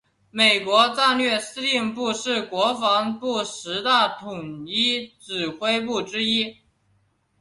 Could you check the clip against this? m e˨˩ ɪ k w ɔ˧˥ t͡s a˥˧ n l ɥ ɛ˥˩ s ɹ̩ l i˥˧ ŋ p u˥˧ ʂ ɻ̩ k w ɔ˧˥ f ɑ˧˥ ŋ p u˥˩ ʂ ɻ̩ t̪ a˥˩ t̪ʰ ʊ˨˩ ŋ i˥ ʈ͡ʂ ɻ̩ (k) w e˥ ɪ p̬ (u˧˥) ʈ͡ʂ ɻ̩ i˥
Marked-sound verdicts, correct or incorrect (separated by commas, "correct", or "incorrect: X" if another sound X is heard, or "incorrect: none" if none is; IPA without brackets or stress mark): incorrect: x, incorrect: u˥˩